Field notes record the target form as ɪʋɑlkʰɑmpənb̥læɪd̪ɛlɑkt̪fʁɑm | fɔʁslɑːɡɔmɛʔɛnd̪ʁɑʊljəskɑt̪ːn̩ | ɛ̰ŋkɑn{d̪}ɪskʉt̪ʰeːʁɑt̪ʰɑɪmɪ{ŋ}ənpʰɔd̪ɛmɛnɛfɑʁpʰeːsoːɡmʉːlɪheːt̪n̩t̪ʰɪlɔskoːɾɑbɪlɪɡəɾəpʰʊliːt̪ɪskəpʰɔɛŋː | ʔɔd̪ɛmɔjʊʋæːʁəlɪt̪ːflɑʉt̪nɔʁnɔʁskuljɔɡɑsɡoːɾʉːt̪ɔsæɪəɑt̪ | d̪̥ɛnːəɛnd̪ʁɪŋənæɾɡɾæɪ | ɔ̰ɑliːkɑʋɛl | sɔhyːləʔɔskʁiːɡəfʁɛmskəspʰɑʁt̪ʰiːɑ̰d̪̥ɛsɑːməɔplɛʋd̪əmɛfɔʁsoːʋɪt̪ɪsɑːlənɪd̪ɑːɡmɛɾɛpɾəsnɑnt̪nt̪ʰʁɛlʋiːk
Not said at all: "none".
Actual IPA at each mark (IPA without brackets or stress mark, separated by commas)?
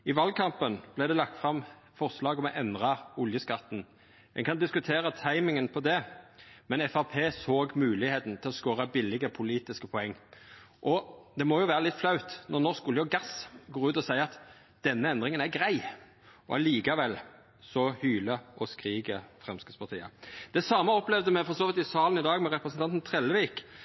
d̪, ŋ